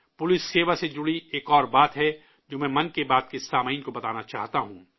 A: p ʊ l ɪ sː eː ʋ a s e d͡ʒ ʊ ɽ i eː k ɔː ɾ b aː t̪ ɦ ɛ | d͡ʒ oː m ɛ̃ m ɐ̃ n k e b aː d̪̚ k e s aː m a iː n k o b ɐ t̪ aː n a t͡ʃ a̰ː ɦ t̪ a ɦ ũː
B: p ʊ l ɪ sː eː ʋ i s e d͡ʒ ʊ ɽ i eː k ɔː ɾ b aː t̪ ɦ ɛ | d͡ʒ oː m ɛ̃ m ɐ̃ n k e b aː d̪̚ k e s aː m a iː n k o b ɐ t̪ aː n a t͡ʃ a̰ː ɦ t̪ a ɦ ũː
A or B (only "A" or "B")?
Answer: A